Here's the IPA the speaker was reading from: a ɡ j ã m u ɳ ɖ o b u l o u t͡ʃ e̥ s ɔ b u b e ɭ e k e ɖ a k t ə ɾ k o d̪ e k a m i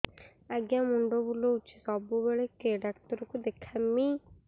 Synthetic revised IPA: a ɡ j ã m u ɳ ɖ o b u l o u t͡ʃ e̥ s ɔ b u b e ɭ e k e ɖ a k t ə ɾ k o d̪ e kʰ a m i